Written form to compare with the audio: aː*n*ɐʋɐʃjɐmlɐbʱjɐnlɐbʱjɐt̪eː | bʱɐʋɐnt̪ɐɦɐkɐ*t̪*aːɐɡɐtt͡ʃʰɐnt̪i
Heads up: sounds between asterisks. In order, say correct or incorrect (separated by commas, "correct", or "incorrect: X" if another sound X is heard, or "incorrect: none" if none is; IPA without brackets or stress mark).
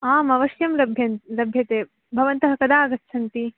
incorrect: m, incorrect: d̪